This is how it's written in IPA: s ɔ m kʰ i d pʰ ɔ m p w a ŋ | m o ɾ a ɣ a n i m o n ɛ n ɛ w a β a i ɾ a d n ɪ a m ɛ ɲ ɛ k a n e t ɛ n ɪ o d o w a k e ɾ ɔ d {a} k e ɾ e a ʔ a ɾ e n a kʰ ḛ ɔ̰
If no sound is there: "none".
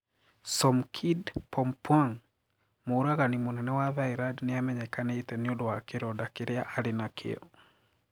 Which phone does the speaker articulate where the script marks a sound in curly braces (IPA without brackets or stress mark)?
a